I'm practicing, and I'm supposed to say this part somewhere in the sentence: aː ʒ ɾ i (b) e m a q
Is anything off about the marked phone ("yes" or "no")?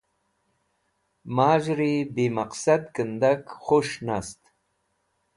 no